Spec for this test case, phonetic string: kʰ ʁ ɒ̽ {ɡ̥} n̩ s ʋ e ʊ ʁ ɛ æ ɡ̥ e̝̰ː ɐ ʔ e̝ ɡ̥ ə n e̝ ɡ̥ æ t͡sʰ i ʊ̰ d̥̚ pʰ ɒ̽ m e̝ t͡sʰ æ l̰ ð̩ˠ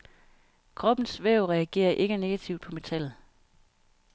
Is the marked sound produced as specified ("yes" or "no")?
no